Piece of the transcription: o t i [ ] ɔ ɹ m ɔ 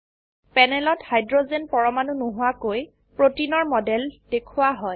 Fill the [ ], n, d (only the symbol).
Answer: n